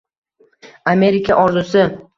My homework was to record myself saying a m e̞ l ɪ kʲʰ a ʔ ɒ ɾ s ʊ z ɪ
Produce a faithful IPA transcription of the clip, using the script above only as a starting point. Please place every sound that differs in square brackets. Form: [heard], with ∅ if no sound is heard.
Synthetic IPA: a m e̞ [ɾ] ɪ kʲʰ a ʔ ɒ ɾ [z] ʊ [s] ɪ